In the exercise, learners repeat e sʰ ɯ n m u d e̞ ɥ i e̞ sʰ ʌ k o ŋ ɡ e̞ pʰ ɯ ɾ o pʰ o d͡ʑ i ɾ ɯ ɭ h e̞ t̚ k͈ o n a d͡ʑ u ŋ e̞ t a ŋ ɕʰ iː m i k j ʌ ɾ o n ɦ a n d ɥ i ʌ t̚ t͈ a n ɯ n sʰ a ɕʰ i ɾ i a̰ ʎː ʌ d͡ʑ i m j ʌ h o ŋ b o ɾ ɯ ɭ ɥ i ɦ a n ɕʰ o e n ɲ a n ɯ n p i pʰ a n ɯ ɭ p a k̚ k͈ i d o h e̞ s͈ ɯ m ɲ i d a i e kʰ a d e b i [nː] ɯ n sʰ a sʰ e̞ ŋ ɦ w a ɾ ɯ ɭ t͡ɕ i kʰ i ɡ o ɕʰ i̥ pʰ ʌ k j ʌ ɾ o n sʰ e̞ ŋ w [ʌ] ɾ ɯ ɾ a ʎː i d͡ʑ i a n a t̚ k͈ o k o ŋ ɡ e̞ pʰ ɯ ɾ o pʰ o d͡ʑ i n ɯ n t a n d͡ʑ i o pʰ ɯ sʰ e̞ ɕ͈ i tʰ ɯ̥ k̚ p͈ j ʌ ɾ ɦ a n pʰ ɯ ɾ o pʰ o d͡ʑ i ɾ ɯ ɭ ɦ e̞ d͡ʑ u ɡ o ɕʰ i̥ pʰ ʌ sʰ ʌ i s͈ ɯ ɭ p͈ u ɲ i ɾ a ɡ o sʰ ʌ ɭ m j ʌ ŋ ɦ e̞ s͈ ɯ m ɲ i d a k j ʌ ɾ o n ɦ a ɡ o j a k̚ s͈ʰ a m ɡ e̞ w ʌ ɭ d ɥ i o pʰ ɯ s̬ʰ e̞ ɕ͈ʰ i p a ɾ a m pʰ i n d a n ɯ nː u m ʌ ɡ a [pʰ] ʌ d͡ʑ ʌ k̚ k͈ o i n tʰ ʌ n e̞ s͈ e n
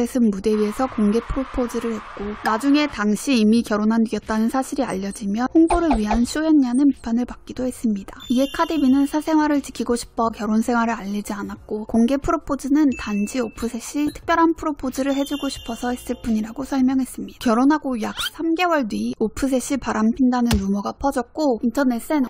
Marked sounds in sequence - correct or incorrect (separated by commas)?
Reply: incorrect, incorrect, correct